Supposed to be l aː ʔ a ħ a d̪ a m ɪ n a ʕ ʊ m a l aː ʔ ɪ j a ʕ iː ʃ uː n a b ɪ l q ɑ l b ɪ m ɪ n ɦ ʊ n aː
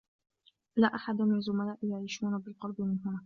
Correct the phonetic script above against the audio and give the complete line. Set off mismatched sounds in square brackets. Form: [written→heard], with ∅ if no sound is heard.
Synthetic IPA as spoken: l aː ʔ a ħ a d̪ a m ɪ n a [ʕ→z] ʊ m a l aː ʔ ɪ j a ʕ iː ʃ uː n a b ɪ l q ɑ l b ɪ m ɪ n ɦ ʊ n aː